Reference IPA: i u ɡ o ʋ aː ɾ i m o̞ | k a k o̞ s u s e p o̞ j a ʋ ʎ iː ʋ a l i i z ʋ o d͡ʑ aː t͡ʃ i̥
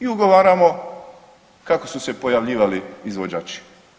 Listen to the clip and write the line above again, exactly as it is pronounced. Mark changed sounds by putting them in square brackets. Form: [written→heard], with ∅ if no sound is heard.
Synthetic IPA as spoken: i u ɡ o ʋ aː ɾ [i→a] m o̞ | k a k o̞ s u s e p o̞ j a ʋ ʎ iː ʋ a l i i z ʋ o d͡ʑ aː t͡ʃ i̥

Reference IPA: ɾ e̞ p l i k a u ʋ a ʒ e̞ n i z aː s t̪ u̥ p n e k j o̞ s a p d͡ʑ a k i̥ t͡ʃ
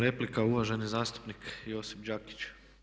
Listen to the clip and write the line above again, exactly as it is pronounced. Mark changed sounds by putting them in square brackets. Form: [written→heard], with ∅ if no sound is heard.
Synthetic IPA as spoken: ɾ e̞ p l i k a u ʋ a ʒ e̞ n i z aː s t̪ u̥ p n [e→i] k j o̞ s [a→i] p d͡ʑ a k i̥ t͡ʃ

